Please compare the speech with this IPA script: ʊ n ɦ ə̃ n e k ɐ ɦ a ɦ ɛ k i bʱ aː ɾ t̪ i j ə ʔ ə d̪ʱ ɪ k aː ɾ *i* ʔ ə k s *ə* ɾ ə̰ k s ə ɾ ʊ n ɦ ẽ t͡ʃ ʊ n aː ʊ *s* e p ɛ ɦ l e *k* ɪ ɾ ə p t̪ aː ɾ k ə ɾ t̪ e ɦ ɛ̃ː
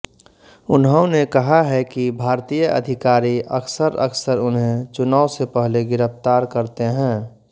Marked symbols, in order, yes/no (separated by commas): yes, yes, yes, no